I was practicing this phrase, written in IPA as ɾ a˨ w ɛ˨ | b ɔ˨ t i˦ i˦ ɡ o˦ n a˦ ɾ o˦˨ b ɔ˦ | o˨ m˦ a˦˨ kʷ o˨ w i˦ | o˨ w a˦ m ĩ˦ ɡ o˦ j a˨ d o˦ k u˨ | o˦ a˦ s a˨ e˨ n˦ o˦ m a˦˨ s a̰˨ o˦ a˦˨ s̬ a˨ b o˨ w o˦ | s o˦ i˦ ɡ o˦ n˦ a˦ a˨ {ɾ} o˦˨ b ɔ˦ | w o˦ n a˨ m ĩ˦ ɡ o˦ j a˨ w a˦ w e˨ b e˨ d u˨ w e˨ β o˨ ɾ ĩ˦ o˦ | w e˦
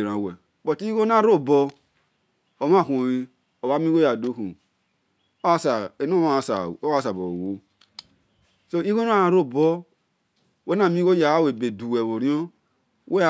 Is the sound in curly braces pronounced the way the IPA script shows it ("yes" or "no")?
yes